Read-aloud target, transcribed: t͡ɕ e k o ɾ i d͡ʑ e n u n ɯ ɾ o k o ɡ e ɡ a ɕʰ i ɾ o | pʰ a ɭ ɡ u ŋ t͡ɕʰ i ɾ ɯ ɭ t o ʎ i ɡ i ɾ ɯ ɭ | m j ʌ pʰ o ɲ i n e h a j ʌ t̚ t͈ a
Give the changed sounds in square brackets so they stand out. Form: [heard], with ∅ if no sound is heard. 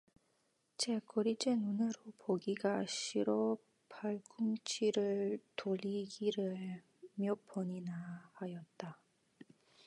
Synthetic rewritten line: t͡ɕ e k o ɾ i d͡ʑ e n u n ɯ ɾ o [p] o ɡ [i] ɡ a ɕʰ i ɾ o | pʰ a ɭ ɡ u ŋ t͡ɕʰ i ɾ ɯ ɭ t o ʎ i ɡ i ɾ ɯ ɭ | m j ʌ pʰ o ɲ i n [a] h a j ʌ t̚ t͈ a